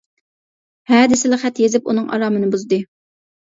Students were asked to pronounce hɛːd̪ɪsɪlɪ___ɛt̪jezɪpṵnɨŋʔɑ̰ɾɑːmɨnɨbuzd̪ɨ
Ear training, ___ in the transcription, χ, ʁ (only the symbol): χ